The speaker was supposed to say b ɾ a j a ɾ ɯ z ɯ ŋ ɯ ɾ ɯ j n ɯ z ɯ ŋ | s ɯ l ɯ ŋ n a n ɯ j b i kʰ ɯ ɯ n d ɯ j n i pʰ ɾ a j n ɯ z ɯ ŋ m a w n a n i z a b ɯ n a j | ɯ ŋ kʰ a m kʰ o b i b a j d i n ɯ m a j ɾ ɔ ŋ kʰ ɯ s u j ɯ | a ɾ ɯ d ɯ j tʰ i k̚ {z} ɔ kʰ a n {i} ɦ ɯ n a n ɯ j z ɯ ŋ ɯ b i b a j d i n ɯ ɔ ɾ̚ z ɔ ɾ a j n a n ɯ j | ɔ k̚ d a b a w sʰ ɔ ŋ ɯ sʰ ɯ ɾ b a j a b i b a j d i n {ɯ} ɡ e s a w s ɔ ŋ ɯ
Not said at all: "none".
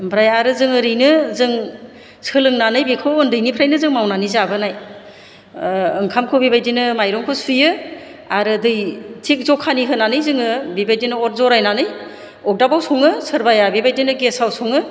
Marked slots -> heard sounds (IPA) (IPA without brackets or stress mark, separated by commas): z, i, ɯ